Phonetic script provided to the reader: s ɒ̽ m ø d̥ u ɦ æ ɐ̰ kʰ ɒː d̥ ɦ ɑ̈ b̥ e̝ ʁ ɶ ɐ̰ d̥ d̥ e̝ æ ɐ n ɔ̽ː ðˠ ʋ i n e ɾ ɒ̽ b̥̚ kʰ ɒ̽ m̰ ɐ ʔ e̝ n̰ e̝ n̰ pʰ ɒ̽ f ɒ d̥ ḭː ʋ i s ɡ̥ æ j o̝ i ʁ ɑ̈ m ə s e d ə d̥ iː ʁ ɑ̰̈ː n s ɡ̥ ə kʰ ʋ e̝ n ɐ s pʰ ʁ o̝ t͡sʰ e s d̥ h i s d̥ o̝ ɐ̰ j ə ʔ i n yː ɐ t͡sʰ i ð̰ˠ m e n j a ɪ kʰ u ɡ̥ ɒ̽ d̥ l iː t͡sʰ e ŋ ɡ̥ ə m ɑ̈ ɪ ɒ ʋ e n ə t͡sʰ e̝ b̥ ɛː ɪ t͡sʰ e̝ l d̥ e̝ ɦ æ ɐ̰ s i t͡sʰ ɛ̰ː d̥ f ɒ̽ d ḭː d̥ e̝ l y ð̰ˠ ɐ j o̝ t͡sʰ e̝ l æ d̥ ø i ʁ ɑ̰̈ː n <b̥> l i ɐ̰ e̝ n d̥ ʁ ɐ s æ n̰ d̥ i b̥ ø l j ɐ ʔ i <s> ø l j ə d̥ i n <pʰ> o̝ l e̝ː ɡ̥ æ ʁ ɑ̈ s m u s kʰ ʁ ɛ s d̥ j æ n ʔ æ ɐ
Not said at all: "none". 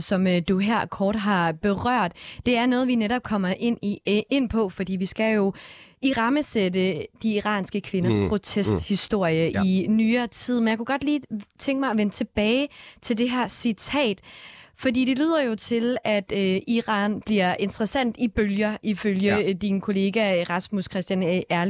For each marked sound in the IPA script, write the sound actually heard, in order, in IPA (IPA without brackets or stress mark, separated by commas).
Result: b̥, f, kʰ